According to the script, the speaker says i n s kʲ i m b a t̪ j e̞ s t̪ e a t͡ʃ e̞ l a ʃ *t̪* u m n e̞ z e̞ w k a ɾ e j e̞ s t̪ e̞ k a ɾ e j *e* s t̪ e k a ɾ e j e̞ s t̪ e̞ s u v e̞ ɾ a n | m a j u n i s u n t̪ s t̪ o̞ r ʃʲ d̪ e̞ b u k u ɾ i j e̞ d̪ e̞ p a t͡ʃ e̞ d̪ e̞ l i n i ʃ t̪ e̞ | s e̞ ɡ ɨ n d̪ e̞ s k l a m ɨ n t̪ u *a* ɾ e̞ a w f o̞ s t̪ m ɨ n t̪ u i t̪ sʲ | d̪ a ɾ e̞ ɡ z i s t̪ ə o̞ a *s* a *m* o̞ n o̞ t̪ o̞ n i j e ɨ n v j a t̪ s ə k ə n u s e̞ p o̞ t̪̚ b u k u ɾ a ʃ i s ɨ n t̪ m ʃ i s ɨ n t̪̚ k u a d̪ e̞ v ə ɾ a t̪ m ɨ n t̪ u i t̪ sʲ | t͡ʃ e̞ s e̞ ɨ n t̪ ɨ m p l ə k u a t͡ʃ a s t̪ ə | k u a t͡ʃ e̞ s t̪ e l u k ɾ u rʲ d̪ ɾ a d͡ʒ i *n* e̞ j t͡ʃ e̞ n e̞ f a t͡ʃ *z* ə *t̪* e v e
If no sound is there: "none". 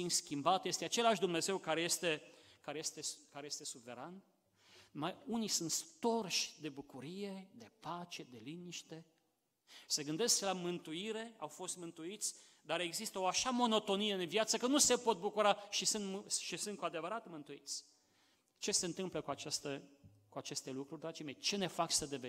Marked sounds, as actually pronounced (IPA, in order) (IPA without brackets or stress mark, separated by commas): d̪, e, i, ʃ, m, m, s, d̪